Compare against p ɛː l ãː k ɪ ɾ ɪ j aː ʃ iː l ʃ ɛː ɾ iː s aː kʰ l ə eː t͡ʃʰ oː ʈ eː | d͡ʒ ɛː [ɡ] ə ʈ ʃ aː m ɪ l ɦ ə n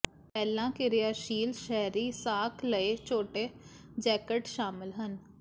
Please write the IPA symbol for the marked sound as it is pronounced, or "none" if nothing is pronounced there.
k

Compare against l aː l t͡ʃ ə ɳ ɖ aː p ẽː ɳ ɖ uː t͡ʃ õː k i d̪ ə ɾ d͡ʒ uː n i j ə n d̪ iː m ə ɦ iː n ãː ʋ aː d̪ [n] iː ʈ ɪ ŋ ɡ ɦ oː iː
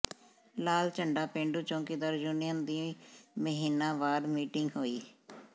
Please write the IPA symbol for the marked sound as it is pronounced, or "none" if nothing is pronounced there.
m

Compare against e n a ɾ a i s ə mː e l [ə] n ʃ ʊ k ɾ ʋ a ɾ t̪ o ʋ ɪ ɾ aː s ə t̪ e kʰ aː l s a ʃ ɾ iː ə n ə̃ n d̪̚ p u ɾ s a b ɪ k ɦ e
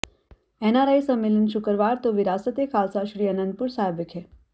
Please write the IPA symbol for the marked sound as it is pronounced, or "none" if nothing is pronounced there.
ə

